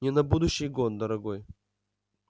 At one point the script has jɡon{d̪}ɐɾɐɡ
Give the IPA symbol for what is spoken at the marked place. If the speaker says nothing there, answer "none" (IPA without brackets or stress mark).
d̪